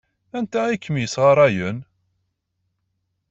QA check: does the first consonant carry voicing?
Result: yes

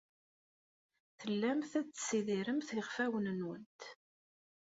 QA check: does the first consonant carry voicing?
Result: no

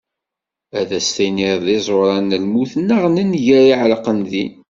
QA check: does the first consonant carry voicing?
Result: yes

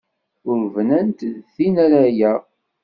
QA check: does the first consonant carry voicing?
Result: yes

